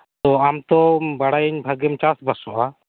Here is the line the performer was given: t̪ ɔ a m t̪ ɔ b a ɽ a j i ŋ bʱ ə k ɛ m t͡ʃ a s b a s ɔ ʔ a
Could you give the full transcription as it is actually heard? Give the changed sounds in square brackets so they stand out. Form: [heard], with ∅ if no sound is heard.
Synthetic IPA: t̪ ɔ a m t̪ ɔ b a ɽ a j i [ɲ] bʱ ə [ɡ] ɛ m t͡ʃ a s b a s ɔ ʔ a